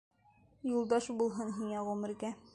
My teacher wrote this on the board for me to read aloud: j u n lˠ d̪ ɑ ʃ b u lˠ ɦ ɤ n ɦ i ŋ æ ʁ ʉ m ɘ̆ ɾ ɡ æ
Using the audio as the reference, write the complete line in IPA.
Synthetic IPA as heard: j u lˠ d̪ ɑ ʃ b u lˠ ɦ ɤ n ɦ i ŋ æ ʁ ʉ m ɘ̆ ɾ ɡ æ